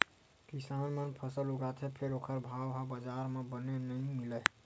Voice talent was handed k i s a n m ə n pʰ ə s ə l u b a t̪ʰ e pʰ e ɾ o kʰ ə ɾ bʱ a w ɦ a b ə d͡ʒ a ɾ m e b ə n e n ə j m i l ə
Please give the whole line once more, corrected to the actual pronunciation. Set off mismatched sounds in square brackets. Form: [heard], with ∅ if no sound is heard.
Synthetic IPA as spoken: k i s a n m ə n pʰ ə s ə l u [ɡ] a t̪ʰ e pʰ e ɾ o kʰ ə ɾ bʱ a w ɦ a b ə d͡ʒ a ɾ m e b ə n e n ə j m i l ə